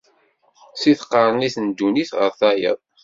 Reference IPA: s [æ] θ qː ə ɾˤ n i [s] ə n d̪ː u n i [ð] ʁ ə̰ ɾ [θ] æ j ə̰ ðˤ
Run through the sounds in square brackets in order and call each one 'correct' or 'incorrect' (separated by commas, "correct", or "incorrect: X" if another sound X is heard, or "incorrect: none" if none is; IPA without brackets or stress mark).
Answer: incorrect: i, incorrect: θ, incorrect: θ, correct